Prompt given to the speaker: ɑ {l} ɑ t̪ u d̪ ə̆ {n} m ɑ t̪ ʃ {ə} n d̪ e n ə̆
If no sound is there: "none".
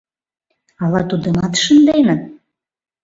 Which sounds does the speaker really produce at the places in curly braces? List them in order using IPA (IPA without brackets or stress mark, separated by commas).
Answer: l, none, ə